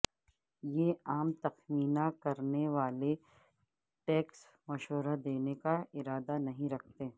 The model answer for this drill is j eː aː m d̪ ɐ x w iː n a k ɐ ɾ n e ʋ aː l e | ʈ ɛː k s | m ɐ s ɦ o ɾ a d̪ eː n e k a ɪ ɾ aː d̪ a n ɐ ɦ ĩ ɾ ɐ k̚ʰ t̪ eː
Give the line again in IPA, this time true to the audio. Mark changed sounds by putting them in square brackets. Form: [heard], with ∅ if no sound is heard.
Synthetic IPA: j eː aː m [t̪] ɐ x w iː n a k ɐ ɾ n e ʋ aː l e | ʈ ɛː k s | m ɐ [ʃ] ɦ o ɾ a d̪ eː n e k a ɪ ɾ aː d̪ a n ɐ ɦ ĩ ɾ ɐ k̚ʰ t̪ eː